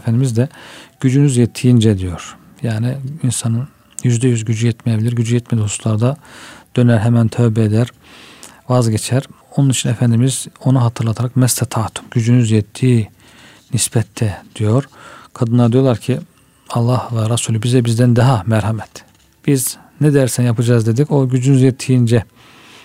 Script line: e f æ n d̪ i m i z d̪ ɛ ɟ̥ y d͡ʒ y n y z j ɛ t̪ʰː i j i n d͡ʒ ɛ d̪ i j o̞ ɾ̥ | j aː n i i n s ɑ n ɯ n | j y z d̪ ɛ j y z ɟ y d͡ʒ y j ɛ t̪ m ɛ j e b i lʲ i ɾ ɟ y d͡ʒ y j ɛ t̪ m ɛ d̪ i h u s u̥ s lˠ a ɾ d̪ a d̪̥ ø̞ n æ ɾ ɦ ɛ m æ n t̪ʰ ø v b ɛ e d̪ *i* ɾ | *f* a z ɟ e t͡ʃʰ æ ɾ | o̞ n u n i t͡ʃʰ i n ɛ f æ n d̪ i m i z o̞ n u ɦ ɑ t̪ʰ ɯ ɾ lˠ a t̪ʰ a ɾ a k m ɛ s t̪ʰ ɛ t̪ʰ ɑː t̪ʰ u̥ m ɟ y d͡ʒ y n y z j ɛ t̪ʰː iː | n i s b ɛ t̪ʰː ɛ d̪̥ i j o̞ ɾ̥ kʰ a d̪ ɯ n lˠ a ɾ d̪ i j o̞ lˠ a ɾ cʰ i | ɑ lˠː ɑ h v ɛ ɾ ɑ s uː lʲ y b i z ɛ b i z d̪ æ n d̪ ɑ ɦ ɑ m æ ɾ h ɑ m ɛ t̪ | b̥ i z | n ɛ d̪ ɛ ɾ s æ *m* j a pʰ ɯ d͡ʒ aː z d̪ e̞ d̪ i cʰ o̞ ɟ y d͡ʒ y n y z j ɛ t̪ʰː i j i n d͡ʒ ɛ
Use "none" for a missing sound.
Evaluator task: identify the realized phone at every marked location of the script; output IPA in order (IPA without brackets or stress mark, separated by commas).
æ, v, n